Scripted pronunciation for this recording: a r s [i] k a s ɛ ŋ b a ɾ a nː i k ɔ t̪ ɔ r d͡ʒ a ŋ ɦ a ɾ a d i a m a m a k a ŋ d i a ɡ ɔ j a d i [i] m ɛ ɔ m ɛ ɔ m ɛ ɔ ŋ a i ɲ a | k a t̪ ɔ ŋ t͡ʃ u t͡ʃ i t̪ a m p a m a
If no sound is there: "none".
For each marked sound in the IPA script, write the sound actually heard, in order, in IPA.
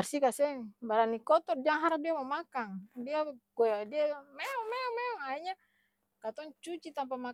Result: i, a

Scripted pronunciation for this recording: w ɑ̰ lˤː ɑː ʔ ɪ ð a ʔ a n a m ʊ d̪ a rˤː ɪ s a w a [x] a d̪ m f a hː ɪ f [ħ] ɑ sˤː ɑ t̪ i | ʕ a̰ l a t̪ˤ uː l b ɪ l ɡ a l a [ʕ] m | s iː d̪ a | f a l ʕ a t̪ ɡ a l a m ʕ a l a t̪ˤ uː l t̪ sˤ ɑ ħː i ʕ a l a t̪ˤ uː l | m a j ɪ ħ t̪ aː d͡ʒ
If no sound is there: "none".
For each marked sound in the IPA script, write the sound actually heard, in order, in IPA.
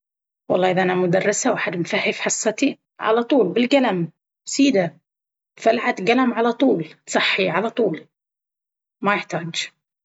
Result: ħ, ħ, none

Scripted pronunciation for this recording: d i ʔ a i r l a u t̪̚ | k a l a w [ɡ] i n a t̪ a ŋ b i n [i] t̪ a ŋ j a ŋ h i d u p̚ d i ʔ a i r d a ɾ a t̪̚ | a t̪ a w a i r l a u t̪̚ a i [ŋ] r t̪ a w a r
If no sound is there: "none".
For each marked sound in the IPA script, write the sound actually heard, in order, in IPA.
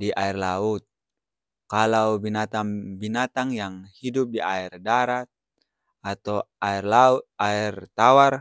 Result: b, a, none

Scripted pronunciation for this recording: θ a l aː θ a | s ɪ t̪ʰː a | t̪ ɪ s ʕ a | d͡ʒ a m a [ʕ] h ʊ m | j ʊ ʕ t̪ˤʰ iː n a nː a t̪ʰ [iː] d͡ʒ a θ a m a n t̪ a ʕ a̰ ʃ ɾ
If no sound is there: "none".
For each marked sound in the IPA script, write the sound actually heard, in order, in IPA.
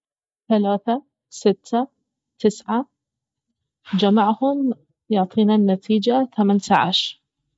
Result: ʕ, iː

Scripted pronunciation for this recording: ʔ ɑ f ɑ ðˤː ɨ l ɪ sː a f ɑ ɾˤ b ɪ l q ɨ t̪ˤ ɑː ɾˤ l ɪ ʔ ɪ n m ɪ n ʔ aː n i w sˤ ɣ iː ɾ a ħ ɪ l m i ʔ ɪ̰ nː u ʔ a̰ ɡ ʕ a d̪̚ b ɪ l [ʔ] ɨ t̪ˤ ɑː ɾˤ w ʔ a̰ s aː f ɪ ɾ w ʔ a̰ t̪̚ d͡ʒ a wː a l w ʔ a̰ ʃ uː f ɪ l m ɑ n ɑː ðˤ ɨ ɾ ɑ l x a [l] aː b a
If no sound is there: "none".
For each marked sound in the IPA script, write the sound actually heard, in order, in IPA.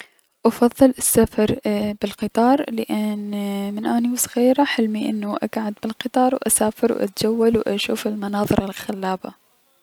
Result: q, lː

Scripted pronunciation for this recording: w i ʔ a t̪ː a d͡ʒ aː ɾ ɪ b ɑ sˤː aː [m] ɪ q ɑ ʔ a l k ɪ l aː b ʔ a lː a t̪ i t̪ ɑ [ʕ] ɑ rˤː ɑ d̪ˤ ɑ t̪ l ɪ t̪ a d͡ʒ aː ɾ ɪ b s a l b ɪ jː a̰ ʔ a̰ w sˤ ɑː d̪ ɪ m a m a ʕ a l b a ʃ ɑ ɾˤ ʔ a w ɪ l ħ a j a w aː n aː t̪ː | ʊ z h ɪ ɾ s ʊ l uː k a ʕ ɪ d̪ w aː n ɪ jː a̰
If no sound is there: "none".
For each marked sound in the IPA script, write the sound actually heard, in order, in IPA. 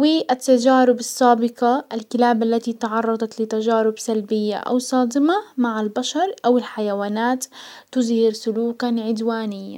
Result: b, ʕ

